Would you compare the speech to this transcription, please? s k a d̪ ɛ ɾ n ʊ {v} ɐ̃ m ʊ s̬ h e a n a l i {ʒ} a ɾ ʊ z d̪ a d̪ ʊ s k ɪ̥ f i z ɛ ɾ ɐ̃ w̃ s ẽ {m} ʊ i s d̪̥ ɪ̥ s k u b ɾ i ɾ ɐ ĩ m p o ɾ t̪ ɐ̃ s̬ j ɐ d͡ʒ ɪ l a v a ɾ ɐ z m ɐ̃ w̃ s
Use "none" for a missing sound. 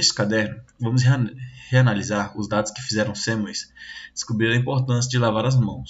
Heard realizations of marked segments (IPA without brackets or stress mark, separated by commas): v, z, m